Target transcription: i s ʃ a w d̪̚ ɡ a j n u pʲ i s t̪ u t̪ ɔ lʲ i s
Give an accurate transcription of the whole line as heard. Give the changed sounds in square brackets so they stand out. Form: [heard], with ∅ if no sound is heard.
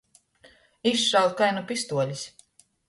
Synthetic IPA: i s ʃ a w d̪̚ [k] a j n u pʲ i s t̪ u [∅] ɔ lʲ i s